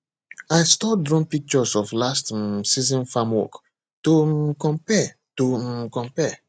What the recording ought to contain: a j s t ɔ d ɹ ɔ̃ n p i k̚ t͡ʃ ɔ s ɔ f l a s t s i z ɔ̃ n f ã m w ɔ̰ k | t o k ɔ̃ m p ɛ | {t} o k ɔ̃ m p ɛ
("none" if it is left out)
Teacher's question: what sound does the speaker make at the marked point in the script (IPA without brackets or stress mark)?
t